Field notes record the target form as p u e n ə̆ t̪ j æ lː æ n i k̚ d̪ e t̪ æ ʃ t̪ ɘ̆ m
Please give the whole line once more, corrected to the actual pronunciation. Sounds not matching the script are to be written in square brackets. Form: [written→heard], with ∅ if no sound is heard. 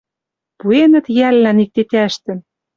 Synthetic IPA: p u e n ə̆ t̪ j æ lː æ n i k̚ [d̪→t̪] e t̪ æ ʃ t̪ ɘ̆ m